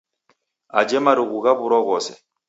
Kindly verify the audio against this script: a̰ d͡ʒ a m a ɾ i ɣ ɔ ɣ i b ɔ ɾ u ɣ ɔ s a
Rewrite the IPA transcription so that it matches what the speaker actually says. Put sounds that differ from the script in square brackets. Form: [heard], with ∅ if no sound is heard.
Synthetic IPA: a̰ d͡ʒ [ɛ] m a ɾ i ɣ [u] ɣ [a] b [u] ɾ [ɔ] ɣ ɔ s [ɛ]